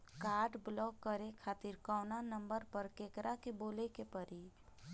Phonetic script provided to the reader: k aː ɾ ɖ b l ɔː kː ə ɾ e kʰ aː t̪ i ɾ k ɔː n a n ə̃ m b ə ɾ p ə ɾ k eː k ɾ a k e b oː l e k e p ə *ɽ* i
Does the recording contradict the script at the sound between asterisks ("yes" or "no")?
yes